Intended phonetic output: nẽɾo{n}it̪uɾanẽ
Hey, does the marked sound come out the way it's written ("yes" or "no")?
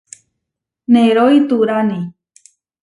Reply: no